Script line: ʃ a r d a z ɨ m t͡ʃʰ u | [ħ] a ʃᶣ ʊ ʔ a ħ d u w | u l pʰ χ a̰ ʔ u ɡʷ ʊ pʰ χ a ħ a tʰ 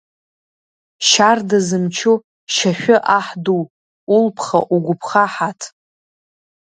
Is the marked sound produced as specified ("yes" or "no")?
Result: no